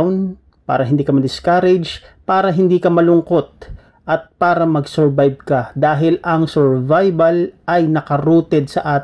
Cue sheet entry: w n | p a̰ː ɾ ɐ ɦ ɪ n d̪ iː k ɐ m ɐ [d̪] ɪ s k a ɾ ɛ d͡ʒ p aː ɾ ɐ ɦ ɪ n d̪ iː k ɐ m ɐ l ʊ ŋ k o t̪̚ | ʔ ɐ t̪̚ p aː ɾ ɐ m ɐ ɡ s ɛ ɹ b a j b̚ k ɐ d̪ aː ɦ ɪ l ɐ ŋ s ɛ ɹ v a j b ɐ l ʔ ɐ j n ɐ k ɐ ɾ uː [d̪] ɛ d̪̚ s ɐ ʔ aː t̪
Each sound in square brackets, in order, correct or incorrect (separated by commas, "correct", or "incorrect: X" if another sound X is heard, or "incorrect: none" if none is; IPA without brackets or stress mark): correct, incorrect: t̪